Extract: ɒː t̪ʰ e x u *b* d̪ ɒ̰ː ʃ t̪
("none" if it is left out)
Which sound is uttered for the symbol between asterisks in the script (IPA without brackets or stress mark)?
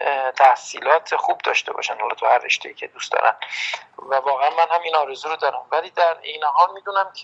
b